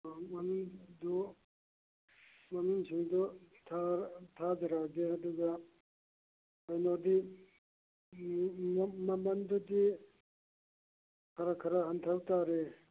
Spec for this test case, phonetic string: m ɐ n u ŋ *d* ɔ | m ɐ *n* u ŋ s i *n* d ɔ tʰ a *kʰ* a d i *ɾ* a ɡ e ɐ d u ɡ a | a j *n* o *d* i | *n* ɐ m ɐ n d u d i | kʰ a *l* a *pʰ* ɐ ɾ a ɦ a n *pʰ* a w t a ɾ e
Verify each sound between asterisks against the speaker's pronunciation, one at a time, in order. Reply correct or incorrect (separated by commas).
correct, correct, incorrect, incorrect, correct, correct, correct, incorrect, incorrect, incorrect, incorrect